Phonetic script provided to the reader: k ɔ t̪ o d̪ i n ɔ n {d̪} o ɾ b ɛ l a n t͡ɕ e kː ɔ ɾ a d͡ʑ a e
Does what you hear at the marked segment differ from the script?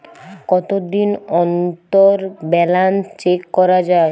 yes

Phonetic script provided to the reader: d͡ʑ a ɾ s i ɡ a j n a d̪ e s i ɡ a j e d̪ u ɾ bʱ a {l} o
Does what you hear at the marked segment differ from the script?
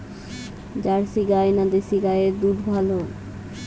no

